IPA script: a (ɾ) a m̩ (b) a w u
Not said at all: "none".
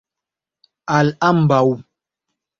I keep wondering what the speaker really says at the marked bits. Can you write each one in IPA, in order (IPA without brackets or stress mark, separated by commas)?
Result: l, b